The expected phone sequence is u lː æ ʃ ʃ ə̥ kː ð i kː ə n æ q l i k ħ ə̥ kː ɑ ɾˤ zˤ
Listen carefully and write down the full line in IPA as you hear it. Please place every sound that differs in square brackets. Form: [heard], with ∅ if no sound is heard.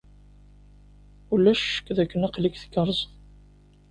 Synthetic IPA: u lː æ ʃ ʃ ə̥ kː ð [æ] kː ə n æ q l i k [θ] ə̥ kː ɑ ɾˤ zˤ

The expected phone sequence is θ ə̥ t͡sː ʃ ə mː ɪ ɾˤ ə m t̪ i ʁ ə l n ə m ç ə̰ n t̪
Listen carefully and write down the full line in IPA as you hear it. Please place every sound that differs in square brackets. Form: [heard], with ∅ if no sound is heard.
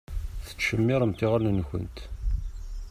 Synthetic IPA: θ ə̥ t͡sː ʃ ə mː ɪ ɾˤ ə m t̪ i ʁ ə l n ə [n] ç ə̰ n t̪

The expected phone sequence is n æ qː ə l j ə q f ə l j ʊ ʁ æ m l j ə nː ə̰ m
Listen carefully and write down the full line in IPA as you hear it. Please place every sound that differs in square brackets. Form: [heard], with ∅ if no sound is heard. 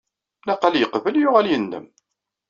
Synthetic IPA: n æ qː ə l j ə q [v] ə l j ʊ ʁ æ [∅] l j ə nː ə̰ m

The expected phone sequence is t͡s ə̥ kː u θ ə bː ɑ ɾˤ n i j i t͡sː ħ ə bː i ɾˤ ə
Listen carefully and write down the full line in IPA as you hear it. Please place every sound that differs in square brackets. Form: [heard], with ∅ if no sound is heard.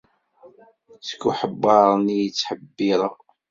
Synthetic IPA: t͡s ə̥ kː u [ħ] ə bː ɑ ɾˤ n i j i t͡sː ħ ə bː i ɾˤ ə

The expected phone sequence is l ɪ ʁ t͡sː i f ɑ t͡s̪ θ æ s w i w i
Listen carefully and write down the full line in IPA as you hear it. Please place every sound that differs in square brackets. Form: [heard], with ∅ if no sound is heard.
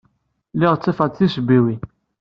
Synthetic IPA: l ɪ ʁ t͡sː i f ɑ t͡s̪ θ [i] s [b] i w i

